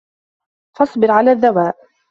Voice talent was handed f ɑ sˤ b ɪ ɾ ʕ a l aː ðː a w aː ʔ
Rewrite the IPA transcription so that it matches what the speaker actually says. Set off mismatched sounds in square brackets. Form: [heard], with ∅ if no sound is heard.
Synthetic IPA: f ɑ sˤ b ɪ ɾ ʕ a l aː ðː a w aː ʔ